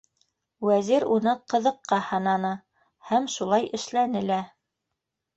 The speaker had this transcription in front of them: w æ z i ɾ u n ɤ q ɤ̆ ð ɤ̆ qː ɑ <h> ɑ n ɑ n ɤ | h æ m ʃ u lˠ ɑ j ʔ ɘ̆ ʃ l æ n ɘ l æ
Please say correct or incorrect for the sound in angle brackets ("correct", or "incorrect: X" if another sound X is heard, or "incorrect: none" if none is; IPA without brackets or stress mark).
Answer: correct